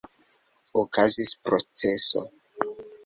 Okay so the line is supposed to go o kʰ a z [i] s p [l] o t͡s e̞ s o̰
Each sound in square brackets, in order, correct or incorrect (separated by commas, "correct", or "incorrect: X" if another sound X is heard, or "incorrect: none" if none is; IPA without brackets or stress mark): correct, incorrect: ɾ